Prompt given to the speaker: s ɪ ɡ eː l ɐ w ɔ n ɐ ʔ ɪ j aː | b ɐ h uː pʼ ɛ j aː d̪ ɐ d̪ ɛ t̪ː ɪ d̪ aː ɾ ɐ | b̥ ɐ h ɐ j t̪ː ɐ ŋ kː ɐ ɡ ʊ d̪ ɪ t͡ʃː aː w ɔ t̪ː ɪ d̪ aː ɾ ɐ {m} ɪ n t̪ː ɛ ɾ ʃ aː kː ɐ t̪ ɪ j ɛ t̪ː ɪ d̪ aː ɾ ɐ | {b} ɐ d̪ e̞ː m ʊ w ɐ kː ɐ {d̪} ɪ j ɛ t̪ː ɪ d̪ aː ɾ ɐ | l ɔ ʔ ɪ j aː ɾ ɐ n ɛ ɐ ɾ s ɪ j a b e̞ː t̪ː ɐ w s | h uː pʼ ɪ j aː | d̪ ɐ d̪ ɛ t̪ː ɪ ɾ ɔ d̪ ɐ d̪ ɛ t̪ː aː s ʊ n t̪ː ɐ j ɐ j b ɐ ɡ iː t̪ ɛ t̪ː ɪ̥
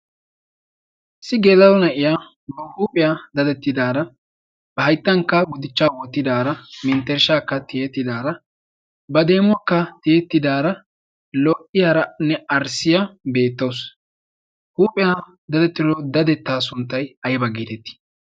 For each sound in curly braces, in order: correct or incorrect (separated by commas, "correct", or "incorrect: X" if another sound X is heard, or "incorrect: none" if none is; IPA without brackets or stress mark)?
correct, correct, incorrect: t̪